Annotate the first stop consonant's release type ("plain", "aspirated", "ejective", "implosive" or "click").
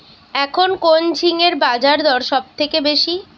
aspirated